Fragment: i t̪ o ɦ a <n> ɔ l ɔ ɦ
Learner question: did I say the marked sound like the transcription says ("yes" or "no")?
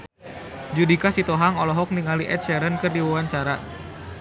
no